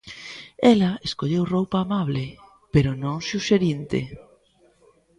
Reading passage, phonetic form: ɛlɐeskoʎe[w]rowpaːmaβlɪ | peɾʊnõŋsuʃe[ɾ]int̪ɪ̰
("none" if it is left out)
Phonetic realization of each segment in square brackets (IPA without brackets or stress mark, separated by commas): w, ɾ